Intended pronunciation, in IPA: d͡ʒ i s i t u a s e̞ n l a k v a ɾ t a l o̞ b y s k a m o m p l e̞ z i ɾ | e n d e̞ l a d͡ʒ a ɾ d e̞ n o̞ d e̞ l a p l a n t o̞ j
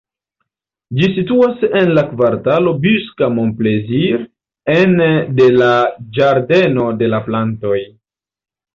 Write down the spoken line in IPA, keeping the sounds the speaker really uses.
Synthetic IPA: d͡ʒ i s i t u a s e̞ n l a k v a ɾ t a l o̞ b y s k a m o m p l e̞ z i ɾ | e n d e̞ l a d͡ʒ a ɾ d e̞ n o̞ d e̞ l a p l a n t o̞ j

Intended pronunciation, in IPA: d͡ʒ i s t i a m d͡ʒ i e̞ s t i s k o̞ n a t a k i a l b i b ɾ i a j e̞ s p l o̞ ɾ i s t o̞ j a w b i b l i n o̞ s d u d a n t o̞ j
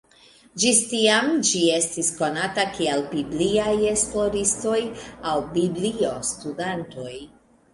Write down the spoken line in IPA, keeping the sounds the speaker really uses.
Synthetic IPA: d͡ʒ i s t i a m d͡ʒ i e̞ s t i s k o̞ n a t a k i a l b i b l i a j e̞ s p l o̞ ɾ i s t o̞ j a w b i b l i o̞ s t u d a n t o̞ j

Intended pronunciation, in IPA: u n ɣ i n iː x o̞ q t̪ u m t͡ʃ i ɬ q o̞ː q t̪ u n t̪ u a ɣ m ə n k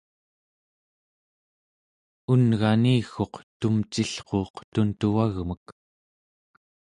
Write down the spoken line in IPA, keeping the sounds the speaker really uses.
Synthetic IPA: u n ɣ a n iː x o̞ q t̪ u m t͡ʃ i ɬ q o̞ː q t̪ u n t̪ u a ɣ m ə k

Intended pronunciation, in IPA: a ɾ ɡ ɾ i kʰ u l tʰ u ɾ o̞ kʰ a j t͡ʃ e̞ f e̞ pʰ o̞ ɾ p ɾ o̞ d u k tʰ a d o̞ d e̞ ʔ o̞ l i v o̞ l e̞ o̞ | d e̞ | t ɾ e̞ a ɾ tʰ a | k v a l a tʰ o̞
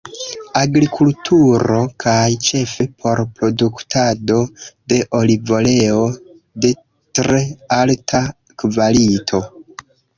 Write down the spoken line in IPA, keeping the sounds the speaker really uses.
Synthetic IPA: a ɡ ɾ i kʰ u l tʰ u ɾ o̞ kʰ a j t͡ʃ e̞ f e̞ pʰ o̞ ɾ p ɾ o̞ d u k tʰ a d o̞ d e̞ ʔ o̞ l i v o̞ l e̞ o̞ | d e̞ | t ɾ e̞ a l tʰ a | k v a l i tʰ o̞

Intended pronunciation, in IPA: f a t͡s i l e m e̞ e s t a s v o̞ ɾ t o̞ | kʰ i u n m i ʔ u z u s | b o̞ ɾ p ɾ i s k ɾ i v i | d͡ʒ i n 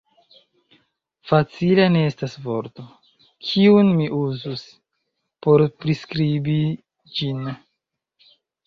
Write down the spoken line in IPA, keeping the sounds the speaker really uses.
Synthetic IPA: f a t͡s i l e n e̞ e s t a s v o̞ ɾ t o̞ | kʰ i u n m i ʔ u z u s | p o̞ ɾ p ɾ i s k ɾ i b i | d͡ʒ i n

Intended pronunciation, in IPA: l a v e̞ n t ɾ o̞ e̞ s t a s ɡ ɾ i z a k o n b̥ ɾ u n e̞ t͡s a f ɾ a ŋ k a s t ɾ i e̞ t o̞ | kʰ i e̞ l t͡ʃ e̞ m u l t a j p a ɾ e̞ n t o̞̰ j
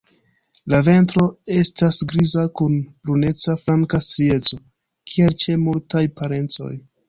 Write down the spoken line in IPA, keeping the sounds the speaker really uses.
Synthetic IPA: l a v e̞ n t ɾ o̞ e̞ s t a s ɡ ɾ i z a k u n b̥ ɾ u n e̞ t͡s a f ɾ a ŋ k a s t ɾ i e̞ t͡s o̞ | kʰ i e̞ l t͡ʃ e̞ m u l t a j p a ɾ e̞ n t͡s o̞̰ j

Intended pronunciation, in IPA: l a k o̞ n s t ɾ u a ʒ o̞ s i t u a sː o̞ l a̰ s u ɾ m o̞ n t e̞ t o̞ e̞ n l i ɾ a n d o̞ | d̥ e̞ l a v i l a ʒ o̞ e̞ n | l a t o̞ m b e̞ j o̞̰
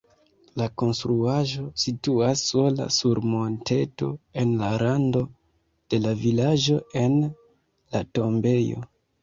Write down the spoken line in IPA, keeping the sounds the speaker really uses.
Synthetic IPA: l a k o̞ n s t ɾ u a ʒ o̞ s i t u a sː o̞ l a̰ s u ɾ m o̞ n t e̞ t o̞ e̞ n l a ɾ a n d o̞ | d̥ e̞ l a v i l a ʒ o̞ e̞ n | l a t o̞ m b e̞ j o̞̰

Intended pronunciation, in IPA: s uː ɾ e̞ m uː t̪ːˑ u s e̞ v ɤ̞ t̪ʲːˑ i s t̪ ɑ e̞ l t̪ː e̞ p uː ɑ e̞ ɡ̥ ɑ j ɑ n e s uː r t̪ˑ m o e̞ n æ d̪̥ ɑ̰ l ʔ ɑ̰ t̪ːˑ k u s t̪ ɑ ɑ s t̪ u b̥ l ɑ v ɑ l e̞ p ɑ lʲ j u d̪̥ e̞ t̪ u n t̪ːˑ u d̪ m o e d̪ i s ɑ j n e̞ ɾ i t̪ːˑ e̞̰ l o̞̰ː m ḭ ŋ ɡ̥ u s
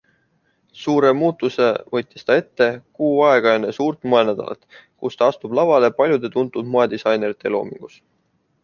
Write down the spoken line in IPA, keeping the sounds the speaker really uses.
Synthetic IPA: s uː ɾ e̞ m uː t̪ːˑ u s e̞ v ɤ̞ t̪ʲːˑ i s t̪ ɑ e̞ t̪ː e̞ k uː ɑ e̞ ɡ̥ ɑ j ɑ n e s uː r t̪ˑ m o e̞ n æ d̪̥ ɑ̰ l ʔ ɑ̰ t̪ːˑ k u s t̪ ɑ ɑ s t̪ u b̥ l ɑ v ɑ l e̞ p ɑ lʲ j u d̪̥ e̞ t̪ u n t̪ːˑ u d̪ m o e d̪ i s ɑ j n e̞ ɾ i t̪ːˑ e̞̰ l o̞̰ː m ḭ ŋ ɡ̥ u s

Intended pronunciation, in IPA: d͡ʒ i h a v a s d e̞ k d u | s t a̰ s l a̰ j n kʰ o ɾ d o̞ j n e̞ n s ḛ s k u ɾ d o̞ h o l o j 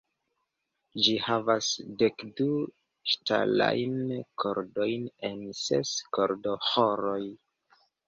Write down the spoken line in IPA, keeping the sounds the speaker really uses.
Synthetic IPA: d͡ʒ i h a v a s d e̞ k d u | ʃ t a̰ l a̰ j n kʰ o ɾ d o̞ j n e̞ n s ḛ s k o ɾ d o̞ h o ɾ o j

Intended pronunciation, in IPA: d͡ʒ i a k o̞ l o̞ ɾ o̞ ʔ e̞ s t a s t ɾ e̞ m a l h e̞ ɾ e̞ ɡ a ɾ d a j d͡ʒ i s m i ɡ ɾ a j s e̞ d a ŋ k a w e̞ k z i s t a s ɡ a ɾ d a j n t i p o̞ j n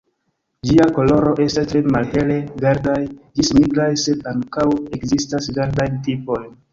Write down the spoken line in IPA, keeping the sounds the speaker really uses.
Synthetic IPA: d͡ʒ i a k o̞ l o̞ ɾ o̞ ʔ e̞ s t a s t ɾ e̞ m a l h e̞ l e̞ ɡ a ɾ d a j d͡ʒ i s m i ɡ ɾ a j s e̞ d a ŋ k a w e̞ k z i s t a s ɡ a ɾ d a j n t i p o̞ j n

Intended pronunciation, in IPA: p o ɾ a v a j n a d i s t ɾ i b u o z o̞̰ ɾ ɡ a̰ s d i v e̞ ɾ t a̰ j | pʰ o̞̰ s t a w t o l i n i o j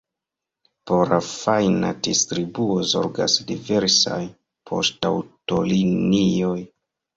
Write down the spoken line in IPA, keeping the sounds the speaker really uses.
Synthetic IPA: p o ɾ a f a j n a d i s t ɾ i b u o z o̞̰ ɾ ɡ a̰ s d i v e̞ ɾ s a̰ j | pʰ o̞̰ s t a w t o l i n i o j

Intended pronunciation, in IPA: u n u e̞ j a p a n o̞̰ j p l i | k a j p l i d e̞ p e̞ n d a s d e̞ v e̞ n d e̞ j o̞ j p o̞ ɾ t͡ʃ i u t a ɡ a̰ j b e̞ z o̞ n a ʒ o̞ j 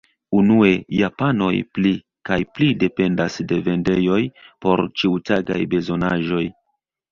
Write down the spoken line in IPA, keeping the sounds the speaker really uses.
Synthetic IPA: u n u e̞ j a p a n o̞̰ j p l i | k a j p l i d e̞ p e̞ n d a s d e̞ v e̞ n d e̞ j o̞ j p o̞ ɾ t͡ʃ i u t a ɡ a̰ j b e̞ z o̞ n a ʒ o̞ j

